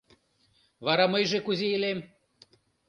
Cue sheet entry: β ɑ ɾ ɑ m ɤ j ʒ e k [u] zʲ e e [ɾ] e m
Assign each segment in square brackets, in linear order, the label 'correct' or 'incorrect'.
correct, incorrect: l

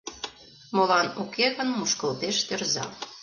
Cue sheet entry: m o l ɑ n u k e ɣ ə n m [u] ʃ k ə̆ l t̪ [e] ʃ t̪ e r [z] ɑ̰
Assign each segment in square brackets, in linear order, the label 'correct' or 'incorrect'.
correct, correct, correct

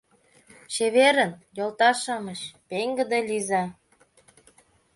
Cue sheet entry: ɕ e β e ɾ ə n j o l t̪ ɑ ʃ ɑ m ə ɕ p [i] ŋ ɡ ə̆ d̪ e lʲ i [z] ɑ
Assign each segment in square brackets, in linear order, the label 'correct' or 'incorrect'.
incorrect: e, correct

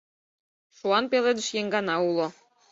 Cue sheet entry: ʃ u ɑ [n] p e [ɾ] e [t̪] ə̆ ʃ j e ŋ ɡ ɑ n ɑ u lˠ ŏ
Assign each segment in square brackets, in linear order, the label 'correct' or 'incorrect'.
correct, incorrect: l, incorrect: d̪

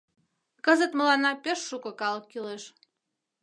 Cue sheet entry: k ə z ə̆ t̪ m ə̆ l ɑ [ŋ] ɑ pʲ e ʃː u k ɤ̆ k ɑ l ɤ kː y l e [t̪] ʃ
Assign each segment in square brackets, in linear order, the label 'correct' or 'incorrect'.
incorrect: n, incorrect: none

